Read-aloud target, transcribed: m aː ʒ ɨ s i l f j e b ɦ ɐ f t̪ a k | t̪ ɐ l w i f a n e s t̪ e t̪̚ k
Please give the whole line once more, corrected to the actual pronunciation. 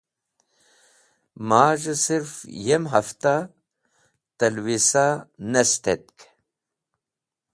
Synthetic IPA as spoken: m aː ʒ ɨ s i ɾ f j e m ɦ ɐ f t̪ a | t̪ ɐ l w i s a n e s t̪ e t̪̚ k

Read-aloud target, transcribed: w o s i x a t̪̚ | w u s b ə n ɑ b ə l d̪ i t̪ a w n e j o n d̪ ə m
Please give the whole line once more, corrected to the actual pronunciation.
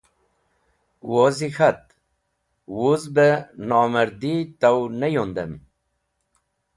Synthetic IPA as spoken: w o z i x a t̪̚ | w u z b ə n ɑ m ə ɾ d̪ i t̪ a w n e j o n d̪ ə m

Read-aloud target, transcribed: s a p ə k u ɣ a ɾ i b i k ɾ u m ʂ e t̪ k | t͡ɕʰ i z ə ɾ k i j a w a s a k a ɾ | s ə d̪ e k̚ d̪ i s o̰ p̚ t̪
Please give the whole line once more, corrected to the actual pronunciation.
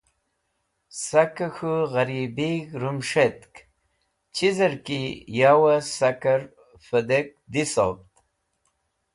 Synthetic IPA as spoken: s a k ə x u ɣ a ɾ i b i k ɾ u m ʂ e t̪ k | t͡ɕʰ i z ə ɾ k i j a w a s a k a ɾ | f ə d̪ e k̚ d̪ i s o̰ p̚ t̪

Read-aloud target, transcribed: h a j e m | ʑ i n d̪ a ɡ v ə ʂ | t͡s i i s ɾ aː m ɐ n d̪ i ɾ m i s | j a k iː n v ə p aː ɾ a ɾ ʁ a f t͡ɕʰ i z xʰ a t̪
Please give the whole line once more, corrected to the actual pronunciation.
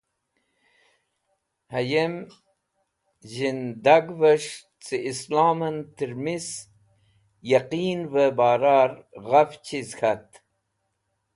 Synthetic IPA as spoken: h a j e m | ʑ i n d̪ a ɡ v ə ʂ | t͡s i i s l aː m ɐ n t̪ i ɾ m i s | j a q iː n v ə b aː ɾ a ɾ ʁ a f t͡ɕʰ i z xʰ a t̪

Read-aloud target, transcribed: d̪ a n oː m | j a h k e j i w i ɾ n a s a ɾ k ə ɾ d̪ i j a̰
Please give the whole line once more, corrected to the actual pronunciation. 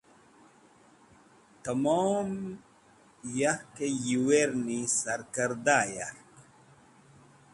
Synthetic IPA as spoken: t̪ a m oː m | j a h k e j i w e ɾ n i s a ɾ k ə ɾ d̪ a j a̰

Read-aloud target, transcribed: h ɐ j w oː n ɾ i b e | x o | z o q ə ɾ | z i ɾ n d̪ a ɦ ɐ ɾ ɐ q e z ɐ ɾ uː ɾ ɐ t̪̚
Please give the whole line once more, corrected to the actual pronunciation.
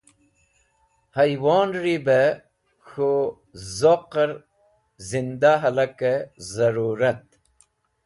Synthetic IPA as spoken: h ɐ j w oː n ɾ i b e | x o | z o q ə ɾ | z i n d̪ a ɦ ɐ l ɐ k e z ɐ ɾ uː ɾ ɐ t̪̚

